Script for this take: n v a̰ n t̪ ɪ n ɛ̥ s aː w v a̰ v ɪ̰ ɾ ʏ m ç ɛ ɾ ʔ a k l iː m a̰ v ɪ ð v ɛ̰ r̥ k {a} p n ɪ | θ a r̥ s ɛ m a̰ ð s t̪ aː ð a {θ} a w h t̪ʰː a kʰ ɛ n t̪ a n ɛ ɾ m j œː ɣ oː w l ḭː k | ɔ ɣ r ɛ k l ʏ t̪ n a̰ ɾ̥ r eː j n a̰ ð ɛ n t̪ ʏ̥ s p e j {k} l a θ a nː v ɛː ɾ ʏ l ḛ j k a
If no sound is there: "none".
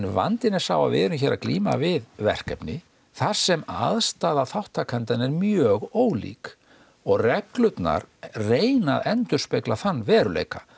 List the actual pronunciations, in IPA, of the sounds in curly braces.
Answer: ɛ, θ, k

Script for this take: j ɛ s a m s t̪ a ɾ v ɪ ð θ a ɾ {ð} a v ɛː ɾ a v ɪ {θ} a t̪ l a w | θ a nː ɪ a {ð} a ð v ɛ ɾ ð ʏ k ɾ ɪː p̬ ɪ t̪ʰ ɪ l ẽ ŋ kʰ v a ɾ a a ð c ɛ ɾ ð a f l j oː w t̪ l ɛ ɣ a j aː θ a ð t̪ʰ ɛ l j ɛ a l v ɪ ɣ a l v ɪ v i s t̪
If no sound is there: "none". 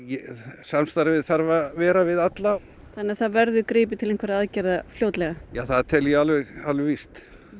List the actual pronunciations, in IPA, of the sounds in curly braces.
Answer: v, ð, θ

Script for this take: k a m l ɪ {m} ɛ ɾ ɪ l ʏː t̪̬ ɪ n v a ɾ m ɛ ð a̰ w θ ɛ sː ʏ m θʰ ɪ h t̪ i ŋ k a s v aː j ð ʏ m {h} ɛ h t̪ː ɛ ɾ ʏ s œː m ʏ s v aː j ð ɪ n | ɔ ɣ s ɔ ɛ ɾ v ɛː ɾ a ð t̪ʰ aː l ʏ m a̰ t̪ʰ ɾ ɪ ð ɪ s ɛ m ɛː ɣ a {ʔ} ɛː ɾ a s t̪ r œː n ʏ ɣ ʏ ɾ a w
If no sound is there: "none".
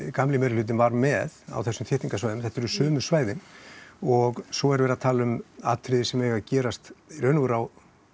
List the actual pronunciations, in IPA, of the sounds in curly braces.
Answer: m, θ, c

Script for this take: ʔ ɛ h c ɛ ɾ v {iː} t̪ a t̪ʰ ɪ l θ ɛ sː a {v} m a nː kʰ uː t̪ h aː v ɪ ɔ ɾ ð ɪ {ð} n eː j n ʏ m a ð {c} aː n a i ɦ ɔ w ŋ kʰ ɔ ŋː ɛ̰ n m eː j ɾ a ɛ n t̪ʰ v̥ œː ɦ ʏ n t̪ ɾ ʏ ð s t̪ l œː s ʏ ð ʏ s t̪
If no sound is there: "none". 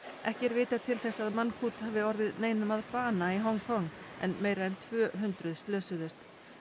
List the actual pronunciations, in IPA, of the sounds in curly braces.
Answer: ɪː, ð, ð, p

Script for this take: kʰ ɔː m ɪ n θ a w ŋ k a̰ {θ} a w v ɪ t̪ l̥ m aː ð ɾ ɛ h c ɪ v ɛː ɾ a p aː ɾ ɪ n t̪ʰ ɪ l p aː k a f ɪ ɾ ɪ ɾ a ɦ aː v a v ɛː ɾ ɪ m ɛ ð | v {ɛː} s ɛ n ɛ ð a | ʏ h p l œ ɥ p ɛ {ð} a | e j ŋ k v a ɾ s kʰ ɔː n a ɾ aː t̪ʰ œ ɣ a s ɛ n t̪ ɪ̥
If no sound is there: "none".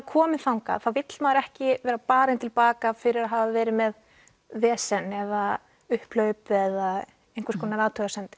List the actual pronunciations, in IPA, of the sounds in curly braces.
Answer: θ, ɛː, ð

